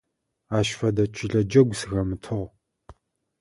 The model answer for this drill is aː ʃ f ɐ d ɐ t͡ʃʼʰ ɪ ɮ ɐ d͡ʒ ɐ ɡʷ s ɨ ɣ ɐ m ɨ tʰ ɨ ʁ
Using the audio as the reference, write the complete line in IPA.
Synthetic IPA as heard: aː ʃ f ɐ d ɐ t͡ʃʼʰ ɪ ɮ ɐ d͡ʒ ɐ ɡʷ s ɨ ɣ ɐ m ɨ tʰ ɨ ʁ